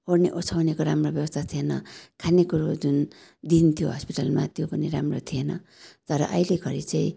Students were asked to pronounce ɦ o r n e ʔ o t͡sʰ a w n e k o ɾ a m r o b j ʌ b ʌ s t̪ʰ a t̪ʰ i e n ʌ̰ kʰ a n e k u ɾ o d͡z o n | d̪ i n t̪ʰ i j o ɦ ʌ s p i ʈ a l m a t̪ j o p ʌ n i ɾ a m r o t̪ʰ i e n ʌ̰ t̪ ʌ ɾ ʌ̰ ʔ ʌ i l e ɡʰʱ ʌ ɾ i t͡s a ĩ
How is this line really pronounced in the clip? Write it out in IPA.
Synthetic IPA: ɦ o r n e ʔ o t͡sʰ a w n e k o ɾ a m r o b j ʌ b ʌ s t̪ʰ a t̪ʰ i e n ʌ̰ kʰ a n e k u ɾ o d͡z u n | d̪ i n t̪ʰ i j o ɦ ʌ s p i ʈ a l m a t̪ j o p ʌ n i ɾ a m r o t̪ʰ i e n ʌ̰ t̪ ʌ ɾ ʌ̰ ʔ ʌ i l e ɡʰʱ ʌ ɾ i t͡s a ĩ